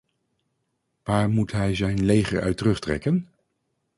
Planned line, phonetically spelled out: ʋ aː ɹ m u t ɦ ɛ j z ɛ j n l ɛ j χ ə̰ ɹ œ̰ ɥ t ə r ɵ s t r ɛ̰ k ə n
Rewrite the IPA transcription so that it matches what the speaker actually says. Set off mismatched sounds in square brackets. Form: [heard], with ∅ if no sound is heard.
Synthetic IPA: ʋ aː ɹ m u t ɦ ɛ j z ɛ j n l [e] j χ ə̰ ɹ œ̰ ɥ t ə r ɵ [χ] t r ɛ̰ k ə n